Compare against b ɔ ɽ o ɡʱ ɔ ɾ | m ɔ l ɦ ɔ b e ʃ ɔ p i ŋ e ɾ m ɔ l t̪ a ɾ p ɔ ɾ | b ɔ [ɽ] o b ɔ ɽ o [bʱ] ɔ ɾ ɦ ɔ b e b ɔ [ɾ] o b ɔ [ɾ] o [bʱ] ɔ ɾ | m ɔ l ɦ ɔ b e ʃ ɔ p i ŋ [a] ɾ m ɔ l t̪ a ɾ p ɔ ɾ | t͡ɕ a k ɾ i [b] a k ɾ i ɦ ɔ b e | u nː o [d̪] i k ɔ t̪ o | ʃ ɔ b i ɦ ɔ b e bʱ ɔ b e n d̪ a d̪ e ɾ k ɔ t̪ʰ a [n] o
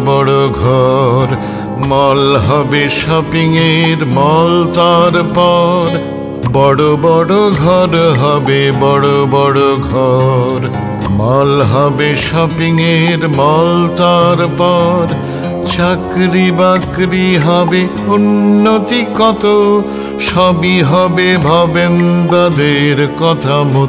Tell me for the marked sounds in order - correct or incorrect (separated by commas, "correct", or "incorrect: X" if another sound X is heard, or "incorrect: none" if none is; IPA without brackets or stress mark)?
correct, incorrect: ɡʱ, incorrect: ɽ, incorrect: ɽ, incorrect: ɡʱ, incorrect: e, correct, incorrect: t̪, incorrect: m